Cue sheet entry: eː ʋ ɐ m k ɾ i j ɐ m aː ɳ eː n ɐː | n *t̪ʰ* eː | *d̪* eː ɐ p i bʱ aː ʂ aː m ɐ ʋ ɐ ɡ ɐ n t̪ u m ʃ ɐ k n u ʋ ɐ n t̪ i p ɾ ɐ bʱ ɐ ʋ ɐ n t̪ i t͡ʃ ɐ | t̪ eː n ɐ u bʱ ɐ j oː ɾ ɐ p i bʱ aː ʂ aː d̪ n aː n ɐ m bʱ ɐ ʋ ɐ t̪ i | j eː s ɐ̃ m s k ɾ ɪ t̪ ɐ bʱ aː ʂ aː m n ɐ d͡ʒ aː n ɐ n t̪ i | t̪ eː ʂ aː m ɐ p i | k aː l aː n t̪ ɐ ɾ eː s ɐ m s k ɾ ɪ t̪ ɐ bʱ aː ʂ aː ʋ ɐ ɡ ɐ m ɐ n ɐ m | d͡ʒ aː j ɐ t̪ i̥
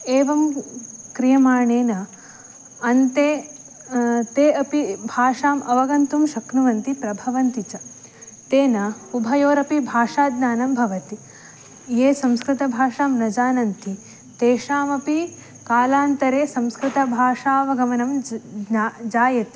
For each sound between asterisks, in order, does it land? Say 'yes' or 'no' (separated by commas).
no, no